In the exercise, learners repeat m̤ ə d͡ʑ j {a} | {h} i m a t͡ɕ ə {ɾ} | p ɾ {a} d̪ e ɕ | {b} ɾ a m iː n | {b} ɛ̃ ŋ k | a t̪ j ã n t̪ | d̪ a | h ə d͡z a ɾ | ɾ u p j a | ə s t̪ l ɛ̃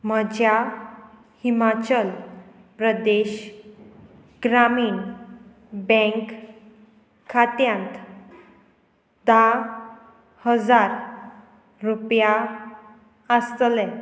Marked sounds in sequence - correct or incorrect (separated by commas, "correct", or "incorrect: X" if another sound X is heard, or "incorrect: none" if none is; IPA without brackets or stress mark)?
correct, correct, incorrect: l, incorrect: ə, incorrect: ɡ, correct